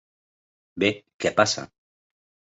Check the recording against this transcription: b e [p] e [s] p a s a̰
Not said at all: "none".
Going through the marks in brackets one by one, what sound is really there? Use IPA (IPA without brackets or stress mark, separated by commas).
k, none